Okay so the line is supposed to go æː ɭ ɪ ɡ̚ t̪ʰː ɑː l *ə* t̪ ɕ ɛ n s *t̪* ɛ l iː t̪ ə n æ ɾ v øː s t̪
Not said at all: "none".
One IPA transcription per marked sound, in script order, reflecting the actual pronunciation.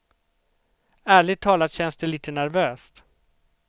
a, d̪

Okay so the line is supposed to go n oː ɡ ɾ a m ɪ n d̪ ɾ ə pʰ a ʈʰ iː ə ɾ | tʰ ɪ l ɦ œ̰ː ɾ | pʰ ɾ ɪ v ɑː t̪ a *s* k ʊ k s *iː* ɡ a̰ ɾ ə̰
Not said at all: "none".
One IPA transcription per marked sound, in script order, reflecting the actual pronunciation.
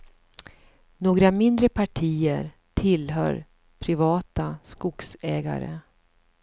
s, ɛː

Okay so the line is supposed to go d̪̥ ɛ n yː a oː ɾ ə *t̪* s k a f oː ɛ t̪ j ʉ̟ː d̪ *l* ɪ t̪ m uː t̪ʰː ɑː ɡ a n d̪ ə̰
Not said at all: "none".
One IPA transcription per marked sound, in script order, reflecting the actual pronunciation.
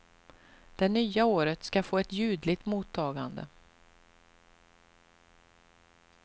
t̪, l

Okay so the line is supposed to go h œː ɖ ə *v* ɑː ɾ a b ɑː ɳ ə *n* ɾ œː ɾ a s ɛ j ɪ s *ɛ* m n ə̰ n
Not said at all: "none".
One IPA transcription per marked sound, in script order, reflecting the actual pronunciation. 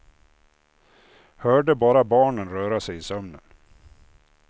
b, n, œ

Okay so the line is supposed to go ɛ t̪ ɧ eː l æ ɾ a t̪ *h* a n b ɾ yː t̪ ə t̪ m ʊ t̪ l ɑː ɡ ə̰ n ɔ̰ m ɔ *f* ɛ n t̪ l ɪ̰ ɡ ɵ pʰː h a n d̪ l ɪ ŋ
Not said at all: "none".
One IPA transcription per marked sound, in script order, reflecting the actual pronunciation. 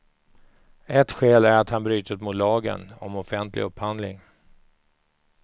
h, f

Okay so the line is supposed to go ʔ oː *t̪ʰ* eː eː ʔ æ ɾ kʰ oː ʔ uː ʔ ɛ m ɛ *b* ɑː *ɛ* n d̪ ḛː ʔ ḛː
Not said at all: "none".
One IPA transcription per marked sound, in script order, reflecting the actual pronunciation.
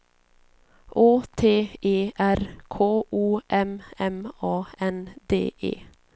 t̪ʰ, m, ɛ

